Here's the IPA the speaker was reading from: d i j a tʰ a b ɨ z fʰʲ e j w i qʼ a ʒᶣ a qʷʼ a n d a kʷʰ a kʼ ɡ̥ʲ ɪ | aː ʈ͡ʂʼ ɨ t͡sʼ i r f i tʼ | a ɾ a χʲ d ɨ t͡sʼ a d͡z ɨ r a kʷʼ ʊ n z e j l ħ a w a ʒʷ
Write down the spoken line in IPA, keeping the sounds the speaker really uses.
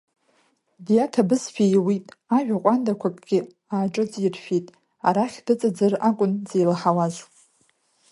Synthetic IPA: d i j a tʰ a b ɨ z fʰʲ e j w i tʼ a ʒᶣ a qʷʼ a n d a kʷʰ a kʼ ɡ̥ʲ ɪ | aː ʈ͡ʂʼ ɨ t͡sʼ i r f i tʼ | a ɾ a χʲ d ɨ t͡sʼ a d͡z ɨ r a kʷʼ ʊ n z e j l ħ a w a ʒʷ